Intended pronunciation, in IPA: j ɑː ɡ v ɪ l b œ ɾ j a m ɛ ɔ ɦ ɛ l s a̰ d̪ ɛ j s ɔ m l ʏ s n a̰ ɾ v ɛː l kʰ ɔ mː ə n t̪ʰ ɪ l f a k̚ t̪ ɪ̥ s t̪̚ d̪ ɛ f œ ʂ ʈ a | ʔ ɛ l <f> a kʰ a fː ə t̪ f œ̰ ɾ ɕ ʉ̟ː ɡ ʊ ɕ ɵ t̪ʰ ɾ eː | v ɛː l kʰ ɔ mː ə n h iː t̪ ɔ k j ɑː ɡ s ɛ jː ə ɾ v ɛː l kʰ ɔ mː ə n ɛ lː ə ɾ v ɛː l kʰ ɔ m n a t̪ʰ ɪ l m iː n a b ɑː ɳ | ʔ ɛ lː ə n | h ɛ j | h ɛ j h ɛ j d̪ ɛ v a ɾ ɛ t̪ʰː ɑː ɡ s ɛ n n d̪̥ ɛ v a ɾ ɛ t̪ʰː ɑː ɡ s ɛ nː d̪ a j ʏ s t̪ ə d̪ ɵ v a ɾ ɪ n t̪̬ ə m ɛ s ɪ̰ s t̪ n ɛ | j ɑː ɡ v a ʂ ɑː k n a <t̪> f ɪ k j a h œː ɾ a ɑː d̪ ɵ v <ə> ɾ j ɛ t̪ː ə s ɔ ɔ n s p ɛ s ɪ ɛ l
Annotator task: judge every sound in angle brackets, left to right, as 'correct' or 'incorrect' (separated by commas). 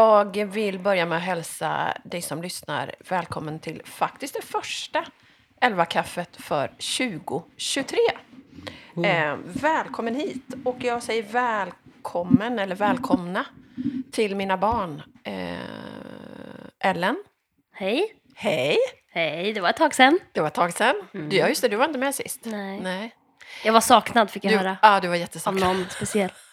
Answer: incorrect, incorrect, incorrect